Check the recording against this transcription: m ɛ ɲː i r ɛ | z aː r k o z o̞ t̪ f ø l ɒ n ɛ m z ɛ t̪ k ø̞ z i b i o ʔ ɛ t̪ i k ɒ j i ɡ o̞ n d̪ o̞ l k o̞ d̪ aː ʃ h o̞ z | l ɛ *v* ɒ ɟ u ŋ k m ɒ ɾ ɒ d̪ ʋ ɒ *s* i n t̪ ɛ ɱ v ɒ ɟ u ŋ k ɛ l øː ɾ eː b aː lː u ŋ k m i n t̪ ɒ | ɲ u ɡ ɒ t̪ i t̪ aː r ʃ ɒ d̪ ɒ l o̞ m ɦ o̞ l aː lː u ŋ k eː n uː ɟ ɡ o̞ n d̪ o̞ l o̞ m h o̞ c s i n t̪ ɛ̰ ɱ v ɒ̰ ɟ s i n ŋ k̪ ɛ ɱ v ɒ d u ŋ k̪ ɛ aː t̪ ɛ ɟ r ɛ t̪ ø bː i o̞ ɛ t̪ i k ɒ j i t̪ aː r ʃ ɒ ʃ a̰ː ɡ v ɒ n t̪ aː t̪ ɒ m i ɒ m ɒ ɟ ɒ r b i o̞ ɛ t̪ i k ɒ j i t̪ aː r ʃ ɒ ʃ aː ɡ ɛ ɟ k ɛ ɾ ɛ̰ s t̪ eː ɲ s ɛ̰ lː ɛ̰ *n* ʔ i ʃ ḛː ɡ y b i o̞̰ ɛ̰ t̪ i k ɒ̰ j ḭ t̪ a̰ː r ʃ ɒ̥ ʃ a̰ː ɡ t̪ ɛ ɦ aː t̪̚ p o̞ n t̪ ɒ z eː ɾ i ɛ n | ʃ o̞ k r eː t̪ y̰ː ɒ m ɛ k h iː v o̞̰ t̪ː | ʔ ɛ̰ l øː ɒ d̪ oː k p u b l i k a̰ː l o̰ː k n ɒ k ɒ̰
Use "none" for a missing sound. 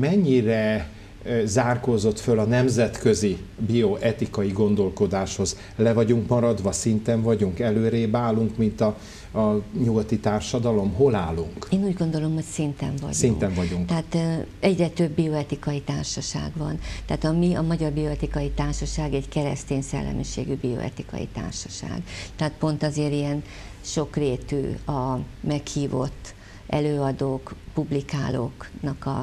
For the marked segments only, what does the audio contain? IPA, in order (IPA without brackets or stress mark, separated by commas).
v, s, m